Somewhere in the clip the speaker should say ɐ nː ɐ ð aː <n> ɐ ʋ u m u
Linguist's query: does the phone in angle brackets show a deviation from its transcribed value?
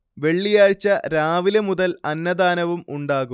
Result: no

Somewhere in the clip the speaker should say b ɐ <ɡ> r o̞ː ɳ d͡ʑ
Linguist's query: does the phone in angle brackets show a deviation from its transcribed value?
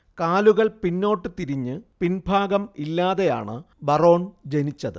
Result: yes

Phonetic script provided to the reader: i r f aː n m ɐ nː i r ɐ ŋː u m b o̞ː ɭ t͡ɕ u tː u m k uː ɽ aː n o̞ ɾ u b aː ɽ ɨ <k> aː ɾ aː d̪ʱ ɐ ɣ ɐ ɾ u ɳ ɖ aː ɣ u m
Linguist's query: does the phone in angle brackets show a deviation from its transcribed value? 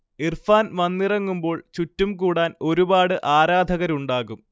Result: yes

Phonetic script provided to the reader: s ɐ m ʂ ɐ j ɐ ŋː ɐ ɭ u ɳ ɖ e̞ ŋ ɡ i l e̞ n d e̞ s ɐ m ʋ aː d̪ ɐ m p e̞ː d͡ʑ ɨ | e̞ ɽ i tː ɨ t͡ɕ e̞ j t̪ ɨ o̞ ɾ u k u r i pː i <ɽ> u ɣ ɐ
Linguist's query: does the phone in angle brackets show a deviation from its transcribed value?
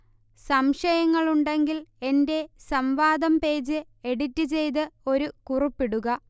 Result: no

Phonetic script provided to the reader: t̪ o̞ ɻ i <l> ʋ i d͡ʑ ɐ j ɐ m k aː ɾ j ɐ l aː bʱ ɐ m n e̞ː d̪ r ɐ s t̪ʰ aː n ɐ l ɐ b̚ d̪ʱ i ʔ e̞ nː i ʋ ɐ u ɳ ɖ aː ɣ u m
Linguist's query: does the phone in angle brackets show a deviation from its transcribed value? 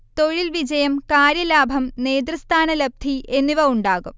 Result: no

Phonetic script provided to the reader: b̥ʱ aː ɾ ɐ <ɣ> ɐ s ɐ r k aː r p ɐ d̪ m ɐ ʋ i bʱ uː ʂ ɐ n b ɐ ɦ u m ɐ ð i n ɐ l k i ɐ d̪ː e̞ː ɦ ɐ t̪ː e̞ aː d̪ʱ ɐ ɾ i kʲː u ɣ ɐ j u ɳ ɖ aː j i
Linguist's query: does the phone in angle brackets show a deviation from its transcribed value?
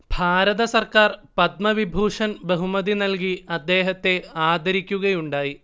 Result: yes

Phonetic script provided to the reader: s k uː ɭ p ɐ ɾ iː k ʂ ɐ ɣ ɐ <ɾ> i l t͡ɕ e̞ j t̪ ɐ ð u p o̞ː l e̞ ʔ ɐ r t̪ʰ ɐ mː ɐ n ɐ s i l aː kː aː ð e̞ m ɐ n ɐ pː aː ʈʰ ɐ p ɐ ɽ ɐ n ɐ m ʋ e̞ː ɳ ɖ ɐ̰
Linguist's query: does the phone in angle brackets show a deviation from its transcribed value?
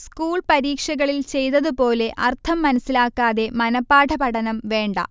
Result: yes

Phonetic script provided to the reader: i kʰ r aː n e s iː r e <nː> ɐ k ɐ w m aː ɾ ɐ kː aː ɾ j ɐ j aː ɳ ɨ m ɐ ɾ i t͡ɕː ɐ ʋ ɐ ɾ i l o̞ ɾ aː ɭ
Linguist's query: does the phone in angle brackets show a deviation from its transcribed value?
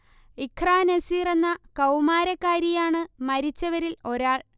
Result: no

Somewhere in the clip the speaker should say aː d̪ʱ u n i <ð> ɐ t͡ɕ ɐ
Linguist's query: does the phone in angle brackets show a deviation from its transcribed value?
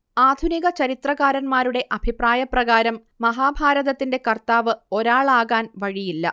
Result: yes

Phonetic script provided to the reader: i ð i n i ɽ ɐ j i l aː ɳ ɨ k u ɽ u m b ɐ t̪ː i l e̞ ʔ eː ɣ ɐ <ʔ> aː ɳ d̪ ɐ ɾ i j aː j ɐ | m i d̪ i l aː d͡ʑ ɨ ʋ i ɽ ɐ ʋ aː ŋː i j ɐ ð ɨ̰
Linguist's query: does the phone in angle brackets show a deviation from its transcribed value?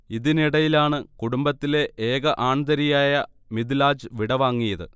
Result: no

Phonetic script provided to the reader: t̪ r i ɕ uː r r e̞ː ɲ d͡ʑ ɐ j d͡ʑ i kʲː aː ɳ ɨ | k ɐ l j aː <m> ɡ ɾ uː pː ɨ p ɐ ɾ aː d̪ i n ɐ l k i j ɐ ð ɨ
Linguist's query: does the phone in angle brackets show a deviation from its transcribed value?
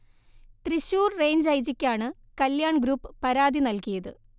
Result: yes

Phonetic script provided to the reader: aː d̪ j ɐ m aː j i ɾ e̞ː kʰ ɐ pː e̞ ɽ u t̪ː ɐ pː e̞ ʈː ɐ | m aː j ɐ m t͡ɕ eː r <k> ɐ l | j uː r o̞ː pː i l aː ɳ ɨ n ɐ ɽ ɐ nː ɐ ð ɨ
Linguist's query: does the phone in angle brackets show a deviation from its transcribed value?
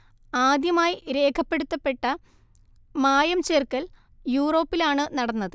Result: no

